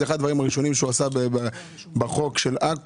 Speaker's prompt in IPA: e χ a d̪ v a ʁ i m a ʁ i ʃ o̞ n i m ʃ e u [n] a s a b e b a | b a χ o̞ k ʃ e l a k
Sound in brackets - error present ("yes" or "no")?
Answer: yes